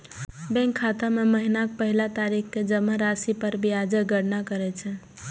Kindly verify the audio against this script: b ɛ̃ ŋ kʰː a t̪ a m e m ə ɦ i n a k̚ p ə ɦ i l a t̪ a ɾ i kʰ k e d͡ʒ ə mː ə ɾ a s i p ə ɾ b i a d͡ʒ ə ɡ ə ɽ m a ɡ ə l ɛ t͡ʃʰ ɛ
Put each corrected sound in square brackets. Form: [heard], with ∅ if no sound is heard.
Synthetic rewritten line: b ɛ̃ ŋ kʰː a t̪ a m e m ə ɦ i n a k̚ p ə ɦ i l a t̪ a ɾ i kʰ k e d͡ʒ ə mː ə ɾ a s i p ə ɾ b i a d͡ʒ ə ɡ ə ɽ [n] a [k] ə [ɾ] ɛ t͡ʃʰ ɛ